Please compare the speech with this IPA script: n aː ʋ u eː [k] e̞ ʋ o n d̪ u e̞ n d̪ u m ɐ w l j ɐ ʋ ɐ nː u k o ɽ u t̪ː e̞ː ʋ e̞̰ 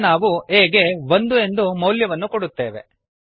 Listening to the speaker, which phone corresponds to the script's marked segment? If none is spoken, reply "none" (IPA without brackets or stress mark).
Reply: ɡ